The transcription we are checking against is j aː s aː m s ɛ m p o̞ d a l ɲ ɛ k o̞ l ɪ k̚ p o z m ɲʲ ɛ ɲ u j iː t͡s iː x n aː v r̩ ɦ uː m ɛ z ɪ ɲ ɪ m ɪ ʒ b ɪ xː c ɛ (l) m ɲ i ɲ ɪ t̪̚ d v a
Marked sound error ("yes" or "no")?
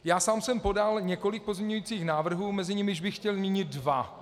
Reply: no